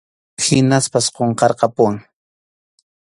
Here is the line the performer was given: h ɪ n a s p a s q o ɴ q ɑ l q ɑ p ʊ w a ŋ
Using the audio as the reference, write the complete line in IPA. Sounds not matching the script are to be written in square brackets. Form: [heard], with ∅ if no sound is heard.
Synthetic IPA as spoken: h ɪ n a s p a s q o ɴ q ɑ [ɾ] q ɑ p ʊ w a ŋ